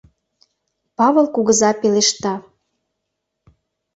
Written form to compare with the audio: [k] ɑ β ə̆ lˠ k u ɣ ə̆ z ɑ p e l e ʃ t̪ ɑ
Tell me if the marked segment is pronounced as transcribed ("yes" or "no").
no